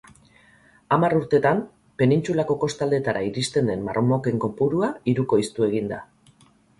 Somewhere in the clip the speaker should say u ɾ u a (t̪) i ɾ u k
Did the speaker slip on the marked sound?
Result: yes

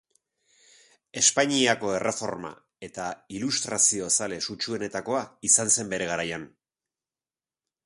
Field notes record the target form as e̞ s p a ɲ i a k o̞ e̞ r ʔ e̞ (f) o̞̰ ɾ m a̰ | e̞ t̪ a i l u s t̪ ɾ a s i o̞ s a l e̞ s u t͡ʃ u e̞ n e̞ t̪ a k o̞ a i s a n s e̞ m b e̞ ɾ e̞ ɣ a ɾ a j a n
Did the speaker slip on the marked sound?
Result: no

